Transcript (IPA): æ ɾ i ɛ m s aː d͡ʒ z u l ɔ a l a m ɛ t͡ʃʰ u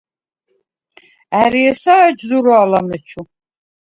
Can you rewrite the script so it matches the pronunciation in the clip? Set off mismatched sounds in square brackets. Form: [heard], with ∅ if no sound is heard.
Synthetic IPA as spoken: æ ɾ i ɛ [∅] s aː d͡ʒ z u [ɾ] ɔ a l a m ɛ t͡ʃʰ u